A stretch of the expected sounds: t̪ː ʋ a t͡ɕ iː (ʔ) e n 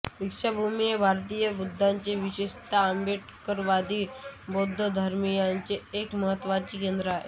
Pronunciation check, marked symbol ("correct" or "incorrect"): incorrect